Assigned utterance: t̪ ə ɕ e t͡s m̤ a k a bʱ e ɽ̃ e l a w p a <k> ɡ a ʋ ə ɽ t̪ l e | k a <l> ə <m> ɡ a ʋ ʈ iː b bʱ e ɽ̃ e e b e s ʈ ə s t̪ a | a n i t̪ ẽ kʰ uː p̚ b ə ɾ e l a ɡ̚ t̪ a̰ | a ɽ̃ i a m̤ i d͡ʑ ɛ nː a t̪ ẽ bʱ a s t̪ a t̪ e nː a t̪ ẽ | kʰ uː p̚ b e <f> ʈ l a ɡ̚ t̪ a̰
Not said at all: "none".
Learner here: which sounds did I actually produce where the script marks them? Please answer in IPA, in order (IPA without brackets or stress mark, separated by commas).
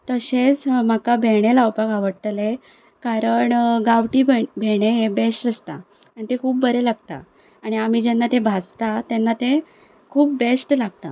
none, ɾ, ɳ, s